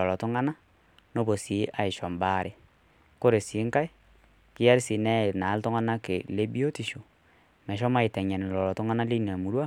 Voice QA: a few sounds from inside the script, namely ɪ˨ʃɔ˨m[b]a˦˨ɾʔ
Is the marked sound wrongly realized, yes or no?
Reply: no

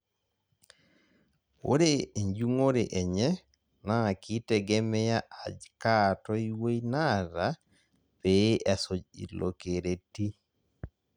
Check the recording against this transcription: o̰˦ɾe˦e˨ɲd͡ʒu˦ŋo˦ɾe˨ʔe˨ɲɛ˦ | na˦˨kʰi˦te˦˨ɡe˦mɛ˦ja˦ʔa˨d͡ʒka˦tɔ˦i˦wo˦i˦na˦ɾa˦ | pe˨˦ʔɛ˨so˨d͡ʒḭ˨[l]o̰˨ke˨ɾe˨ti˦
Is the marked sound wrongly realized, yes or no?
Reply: no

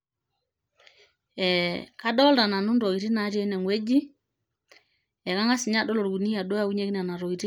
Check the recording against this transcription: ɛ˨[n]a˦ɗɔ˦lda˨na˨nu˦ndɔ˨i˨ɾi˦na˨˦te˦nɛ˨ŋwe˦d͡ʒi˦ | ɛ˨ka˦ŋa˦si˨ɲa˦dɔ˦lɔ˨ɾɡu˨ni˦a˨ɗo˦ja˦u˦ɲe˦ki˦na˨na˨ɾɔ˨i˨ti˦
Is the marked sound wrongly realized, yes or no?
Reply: yes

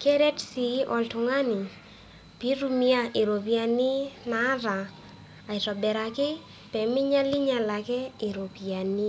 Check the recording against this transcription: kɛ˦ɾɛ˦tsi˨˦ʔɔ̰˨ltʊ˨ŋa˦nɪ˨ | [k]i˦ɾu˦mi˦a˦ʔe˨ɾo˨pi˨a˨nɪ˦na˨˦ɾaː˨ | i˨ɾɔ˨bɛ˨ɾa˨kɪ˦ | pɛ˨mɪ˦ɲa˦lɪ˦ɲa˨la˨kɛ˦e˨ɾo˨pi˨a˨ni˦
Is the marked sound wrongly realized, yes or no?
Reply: yes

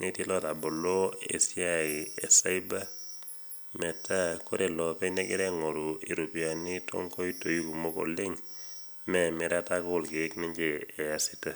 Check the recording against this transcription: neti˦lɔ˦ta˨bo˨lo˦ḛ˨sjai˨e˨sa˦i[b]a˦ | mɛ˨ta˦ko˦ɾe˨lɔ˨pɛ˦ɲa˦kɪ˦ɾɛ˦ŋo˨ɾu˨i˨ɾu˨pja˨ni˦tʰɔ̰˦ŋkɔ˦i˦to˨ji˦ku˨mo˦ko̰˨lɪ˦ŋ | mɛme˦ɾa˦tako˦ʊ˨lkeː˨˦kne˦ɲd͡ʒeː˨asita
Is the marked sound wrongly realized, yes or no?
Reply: no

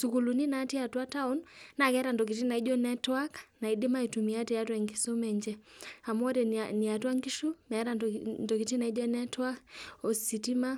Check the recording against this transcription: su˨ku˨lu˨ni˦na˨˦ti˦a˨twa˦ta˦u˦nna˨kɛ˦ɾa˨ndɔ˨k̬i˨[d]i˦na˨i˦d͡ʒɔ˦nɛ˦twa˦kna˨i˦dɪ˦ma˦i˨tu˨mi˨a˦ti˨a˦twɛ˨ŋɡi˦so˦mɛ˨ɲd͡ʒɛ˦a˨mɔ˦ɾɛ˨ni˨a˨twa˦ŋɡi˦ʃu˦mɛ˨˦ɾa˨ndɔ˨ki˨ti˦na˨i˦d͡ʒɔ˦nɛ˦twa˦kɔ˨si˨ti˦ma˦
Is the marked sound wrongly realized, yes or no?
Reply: yes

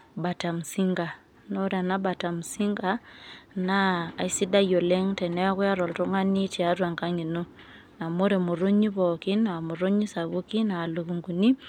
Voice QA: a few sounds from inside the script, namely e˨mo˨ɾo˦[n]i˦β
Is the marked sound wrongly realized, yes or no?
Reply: yes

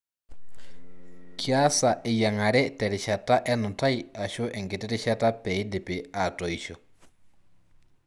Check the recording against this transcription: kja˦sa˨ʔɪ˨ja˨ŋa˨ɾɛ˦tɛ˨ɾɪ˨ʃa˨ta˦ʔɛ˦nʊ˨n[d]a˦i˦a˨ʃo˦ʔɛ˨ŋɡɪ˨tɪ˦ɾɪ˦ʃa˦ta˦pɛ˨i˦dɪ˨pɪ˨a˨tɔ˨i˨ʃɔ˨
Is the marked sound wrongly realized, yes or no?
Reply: yes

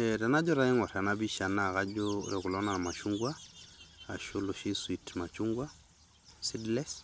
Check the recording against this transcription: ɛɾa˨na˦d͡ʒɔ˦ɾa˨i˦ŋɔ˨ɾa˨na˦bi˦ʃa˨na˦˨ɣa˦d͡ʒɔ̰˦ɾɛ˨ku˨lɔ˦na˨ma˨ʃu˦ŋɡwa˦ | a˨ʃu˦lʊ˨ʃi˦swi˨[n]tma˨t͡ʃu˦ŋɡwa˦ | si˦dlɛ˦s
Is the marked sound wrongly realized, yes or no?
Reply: yes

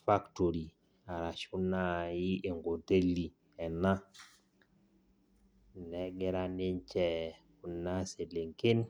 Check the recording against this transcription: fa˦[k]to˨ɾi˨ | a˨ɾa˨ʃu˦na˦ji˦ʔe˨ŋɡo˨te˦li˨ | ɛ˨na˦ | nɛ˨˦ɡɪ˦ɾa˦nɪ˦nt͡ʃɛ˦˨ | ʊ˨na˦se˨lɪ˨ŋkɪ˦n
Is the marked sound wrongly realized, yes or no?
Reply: no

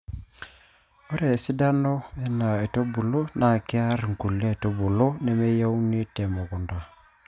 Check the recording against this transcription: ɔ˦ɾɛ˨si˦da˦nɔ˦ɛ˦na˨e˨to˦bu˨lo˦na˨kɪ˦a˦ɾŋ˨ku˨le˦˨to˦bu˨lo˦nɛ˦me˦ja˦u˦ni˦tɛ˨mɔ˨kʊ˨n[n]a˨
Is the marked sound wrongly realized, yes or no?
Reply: yes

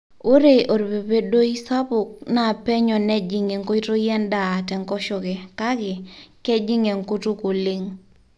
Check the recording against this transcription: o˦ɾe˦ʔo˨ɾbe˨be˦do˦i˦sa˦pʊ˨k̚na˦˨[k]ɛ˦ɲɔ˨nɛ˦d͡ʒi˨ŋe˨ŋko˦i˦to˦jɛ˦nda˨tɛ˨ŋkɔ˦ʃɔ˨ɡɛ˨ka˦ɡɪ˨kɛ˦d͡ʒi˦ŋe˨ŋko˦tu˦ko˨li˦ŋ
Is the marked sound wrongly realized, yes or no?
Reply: yes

